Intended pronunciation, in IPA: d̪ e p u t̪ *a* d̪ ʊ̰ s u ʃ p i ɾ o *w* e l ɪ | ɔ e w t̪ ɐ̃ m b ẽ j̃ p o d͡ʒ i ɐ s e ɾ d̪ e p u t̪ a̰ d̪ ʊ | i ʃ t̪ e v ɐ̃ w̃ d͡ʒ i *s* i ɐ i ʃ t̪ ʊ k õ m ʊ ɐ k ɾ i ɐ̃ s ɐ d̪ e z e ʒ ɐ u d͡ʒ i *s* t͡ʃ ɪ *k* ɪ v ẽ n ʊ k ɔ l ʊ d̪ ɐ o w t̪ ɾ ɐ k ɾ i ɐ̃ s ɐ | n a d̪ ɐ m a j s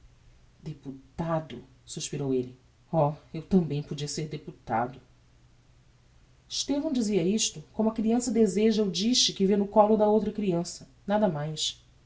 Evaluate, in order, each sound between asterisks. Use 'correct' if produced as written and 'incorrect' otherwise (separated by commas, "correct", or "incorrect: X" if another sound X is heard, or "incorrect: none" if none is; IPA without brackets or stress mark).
correct, correct, incorrect: z, incorrect: ʃ, correct